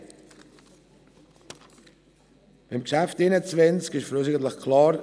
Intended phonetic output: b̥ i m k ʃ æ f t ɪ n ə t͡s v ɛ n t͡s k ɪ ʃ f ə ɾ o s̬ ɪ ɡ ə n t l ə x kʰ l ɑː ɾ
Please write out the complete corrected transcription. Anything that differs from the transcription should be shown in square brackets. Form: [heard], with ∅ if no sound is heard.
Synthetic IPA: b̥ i m k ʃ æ f t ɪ n ə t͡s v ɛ n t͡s k ɪ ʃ f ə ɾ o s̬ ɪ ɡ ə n t l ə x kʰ l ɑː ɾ

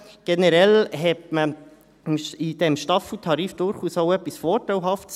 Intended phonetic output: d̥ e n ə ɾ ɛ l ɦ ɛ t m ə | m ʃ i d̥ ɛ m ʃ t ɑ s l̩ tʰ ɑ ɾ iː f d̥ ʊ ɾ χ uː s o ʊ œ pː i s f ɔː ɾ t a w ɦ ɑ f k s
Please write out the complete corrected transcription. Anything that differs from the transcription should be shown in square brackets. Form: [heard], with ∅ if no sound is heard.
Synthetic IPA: [ɡ̥] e n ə ɾ ɛ l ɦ ɛ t m ə | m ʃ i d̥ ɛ m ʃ t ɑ [f] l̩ tʰ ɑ ɾ iː f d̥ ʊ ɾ χ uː s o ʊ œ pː i s f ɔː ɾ t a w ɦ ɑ f [t] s

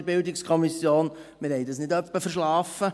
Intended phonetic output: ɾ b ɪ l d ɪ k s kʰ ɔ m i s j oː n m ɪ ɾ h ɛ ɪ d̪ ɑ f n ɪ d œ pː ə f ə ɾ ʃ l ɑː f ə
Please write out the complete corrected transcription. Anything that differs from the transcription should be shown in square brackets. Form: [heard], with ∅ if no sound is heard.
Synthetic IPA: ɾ b ɪ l d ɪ k s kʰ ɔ m i s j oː n m ɪ ɾ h ɛ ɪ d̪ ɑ [s] n ɪ d œ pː ə f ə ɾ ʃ l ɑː f ə

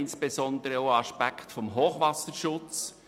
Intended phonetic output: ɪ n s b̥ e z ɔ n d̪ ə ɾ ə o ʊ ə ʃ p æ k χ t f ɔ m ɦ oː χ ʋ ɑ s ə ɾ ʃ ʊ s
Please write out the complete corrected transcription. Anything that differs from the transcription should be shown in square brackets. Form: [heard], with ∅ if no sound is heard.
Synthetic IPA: ɪ n s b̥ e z ɔ n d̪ ə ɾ ə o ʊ [ɑ] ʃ p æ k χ t f ɔ m ɦ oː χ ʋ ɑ s ə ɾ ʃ ʊ [t͡s]

